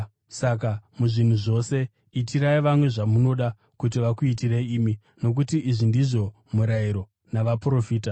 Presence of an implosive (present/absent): present